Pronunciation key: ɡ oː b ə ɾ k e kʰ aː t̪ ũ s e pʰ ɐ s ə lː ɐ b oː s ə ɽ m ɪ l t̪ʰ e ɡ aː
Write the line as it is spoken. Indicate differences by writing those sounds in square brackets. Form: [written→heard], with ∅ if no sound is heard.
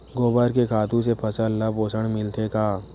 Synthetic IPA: ɡ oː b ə ɾ k e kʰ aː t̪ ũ s e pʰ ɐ s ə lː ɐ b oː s ə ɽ m ɪ l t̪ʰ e [ɡ→k] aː